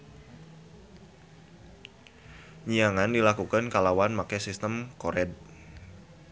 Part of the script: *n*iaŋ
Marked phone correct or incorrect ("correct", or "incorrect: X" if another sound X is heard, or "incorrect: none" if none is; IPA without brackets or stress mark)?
incorrect: ɲ